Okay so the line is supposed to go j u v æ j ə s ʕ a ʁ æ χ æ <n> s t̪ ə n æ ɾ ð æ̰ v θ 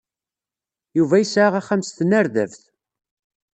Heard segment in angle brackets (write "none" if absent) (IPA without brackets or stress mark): m